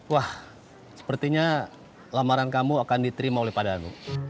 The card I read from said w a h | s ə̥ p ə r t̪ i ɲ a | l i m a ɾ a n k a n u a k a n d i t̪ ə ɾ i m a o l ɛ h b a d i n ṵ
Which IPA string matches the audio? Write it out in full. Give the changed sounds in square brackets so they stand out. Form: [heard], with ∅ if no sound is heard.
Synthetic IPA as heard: w a h | s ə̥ p ə r t̪ i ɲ a | l [a] m a ɾ a n k a [m] u a k a n d i t̪ ə ɾ i m a o l ɛ h [p] a d [a] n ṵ